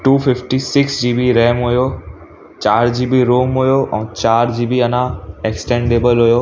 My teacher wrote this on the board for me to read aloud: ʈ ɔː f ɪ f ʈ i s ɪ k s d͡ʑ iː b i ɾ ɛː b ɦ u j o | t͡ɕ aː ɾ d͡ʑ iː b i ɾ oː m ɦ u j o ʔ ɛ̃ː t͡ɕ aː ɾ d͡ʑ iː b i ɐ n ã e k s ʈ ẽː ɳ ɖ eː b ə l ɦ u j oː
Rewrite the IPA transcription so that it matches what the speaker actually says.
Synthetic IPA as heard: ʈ uː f ɪ f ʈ i s ɪ k s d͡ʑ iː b i ɾ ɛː m ɦ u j o | t͡ɕ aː ɾ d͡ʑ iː b i ɾ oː m ɦ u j o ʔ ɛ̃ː t͡ɕ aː ɾ d͡ʑ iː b i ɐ n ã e k s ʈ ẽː ɳ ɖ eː b ə l ɦ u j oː